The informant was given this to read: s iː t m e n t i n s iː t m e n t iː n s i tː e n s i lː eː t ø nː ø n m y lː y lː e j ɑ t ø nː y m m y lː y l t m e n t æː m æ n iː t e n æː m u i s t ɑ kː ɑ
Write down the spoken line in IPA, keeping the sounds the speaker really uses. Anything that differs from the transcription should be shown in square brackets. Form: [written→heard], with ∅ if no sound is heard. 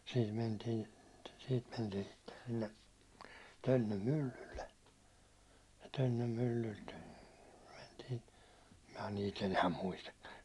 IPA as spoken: s iː t m e n t [i→iː] n s iː t m e n t iː n s i tː e n s i lː [eː→e] t ø nː ø [n→m] m y lː y lː e j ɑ t ø nː [y→ø] m m y lː y l t m e n t [æː→iː] m æ n iː t e n æː m u i s t ɑ kː ɑ